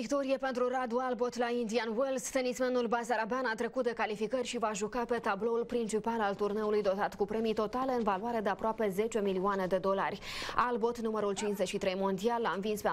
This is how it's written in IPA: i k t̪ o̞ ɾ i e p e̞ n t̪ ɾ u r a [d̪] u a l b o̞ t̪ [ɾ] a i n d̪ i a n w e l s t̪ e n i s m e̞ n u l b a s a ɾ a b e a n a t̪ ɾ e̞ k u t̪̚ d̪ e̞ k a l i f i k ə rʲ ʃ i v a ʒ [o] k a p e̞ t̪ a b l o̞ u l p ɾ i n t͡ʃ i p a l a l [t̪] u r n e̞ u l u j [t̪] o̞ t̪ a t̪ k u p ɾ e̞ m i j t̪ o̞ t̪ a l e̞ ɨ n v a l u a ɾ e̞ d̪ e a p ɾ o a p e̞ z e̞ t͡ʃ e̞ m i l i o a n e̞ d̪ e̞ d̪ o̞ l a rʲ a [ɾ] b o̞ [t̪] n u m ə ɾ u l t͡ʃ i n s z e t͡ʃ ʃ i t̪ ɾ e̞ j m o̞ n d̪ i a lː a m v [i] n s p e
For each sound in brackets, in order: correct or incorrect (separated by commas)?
correct, incorrect, incorrect, correct, incorrect, incorrect, correct, correct